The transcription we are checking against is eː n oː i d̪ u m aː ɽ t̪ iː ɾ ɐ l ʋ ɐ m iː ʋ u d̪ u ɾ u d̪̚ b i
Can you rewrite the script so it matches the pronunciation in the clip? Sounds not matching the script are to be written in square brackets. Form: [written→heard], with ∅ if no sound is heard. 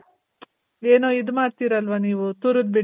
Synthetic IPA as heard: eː n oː i d̪ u m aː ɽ t̪ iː ɾ ɐ l ʋ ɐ [m→n] iː ʋ u [d̪→t̪] u ɾ u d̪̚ b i